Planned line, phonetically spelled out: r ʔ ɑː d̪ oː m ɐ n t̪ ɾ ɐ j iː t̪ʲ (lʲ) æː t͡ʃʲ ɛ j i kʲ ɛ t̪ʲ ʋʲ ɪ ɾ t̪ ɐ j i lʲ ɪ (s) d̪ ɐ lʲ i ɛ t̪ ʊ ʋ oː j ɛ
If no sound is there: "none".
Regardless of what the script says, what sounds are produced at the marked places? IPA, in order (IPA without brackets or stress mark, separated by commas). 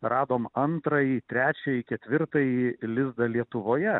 ɾʲ, z